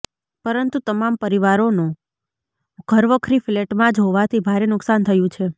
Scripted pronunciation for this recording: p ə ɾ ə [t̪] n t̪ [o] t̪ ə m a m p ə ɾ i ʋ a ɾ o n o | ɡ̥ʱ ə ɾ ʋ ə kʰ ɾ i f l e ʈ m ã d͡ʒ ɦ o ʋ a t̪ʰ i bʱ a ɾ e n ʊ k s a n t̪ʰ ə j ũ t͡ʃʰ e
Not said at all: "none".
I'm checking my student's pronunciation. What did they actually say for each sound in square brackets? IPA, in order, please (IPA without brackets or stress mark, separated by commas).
none, u